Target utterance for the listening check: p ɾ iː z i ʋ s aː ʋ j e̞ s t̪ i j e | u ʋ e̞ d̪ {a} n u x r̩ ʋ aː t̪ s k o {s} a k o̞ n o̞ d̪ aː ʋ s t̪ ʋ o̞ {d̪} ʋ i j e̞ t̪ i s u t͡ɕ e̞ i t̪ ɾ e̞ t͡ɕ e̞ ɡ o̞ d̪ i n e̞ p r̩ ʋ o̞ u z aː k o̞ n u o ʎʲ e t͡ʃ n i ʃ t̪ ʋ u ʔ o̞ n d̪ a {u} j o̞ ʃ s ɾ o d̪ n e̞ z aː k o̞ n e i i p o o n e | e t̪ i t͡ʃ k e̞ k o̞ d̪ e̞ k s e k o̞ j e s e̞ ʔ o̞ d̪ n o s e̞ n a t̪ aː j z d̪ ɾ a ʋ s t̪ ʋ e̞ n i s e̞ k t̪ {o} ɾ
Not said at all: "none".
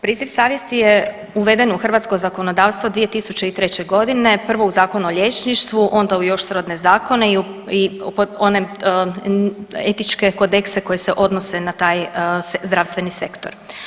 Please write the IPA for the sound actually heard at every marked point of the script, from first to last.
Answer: e, z, d̪, u, o

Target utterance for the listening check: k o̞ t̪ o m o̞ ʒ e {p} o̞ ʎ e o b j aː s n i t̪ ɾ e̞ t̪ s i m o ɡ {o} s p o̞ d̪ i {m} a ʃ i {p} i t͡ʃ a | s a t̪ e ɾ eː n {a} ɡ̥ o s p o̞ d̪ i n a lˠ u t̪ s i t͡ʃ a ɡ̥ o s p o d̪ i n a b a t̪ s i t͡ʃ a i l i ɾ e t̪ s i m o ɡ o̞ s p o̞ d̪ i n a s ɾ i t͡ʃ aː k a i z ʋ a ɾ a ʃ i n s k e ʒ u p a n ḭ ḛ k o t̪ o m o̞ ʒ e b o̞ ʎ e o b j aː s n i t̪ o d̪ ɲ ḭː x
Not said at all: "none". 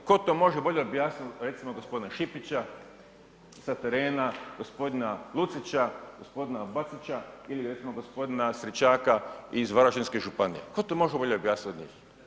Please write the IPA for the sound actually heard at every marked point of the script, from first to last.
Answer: b, o, n, p, a

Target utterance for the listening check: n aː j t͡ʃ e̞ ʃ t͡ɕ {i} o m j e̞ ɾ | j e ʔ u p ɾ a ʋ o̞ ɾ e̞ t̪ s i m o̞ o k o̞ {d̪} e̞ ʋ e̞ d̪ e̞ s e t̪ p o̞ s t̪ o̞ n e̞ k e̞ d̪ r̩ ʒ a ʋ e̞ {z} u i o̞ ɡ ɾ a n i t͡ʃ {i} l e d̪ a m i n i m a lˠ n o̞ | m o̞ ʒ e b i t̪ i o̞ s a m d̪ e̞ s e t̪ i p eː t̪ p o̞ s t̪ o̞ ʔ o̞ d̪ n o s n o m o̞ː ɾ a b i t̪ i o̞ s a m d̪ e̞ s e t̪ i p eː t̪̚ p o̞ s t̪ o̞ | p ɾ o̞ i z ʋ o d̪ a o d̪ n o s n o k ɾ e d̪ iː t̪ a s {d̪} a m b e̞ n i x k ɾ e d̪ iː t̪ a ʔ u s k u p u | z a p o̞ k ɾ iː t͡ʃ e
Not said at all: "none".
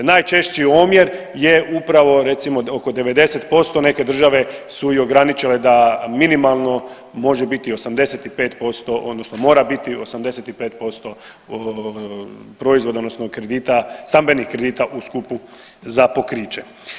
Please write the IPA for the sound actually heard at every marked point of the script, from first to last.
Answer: i, d̪, s, i, t̪

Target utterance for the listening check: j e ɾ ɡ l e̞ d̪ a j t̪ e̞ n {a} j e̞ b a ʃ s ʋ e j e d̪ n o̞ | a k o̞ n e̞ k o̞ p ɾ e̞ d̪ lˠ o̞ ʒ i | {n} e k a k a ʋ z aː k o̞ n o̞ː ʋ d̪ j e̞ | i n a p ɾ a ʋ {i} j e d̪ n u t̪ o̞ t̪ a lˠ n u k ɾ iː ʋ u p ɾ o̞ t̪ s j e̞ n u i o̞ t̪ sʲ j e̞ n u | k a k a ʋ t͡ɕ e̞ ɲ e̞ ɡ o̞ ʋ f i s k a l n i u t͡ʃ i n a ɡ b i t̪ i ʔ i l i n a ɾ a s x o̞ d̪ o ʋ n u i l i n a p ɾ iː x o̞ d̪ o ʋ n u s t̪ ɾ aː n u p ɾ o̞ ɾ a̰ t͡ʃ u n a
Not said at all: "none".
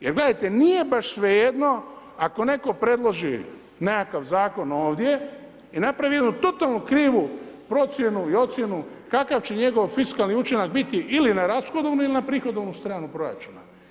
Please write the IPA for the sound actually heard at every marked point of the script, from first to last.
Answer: i, n, i

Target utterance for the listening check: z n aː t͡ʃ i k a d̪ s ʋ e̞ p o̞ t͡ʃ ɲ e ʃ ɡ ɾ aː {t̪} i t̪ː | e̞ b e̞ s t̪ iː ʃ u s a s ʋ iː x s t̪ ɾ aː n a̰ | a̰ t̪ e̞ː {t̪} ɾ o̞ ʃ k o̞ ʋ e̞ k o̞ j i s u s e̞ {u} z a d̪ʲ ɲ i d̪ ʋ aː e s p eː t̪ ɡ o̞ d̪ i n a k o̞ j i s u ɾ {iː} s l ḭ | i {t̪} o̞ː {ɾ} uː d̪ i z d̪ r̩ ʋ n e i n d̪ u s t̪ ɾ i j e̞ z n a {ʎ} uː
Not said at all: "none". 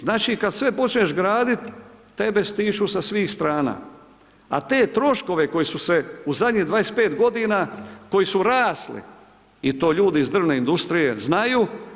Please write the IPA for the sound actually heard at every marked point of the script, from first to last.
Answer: d̪, t̪, u, aː, t̪, ʎ, j

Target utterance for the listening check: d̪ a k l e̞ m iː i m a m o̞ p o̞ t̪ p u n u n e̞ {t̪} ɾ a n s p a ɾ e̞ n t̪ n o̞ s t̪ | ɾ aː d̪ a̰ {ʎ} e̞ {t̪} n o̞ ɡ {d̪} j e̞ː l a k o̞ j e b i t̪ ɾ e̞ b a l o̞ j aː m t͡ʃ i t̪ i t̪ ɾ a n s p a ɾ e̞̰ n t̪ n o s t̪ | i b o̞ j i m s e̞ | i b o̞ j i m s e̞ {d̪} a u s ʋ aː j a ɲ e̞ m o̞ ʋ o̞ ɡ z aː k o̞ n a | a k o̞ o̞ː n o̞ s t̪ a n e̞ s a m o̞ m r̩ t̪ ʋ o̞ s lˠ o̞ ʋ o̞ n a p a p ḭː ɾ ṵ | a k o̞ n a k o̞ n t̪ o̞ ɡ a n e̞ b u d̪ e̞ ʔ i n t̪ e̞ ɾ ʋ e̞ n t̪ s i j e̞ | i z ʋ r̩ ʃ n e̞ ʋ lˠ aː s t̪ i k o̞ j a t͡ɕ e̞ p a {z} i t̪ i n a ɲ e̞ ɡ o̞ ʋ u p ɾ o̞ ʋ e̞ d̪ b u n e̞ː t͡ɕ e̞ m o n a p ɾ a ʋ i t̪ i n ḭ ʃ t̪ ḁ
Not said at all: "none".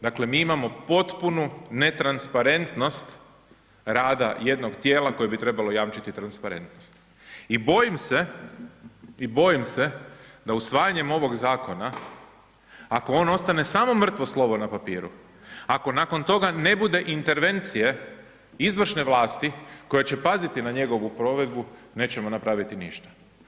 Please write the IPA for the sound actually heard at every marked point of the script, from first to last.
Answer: t̪, j, d̪, t̪, d̪, z

